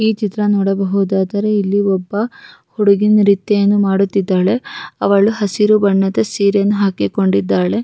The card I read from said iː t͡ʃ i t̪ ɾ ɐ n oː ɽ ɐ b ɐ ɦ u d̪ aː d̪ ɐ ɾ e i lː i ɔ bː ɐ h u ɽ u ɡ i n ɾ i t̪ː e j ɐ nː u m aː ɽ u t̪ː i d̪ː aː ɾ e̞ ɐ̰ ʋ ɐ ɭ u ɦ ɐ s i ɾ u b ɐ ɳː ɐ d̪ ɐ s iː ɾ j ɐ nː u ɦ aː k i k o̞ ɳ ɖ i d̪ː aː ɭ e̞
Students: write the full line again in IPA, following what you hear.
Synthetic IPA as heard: iː t͡ʃ i t̪ ɾ ɐ n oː ɽ ɐ b ɐ ɦ u d̪ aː d̪ ɐ ɾ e i lː i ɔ bː ɐ h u ɽ u ɡ i n ɾ i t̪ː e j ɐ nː u m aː ɽ u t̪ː i d̪ː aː ɭ e̞ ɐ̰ ʋ ɐ ɭ u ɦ ɐ s i ɾ u b ɐ ɳː ɐ d̪ ɐ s iː ɾ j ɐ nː u ɦ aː k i k o̞ ɳ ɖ i d̪ː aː ɭ e̞

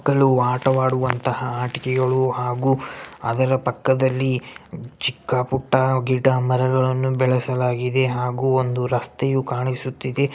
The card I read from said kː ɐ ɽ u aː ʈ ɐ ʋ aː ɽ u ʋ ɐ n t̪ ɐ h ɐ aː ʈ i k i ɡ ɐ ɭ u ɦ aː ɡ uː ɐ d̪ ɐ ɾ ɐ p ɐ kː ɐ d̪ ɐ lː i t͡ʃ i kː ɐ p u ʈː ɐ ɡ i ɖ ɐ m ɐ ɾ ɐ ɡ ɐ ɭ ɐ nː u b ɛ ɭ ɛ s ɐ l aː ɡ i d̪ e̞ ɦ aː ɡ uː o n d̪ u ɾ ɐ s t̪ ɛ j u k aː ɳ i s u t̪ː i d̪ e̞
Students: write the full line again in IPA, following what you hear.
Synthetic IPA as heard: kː ɐ ɭ u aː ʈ ɐ ʋ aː ɽ u ʋ ɐ n t̪ ɐ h ɐ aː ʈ i k ɛ ɡ ɐ ɭ u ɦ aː ɡ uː ɐ d̪ ɐ ɾ ɐ p ɐ kː ɐ d̪ ɐ lː i t͡ʃ i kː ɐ p u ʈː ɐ ɡ i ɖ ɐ m ɐ ɾ ɐ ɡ ɐ ɭ ɐ nː u b ɛ ɭ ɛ s ɐ l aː ɡ i d̪ e̞ ɦ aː ɡ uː o n d̪ u ɾ ɐ s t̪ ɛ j u k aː ɳ i s u t̪ː i d̪ e̞

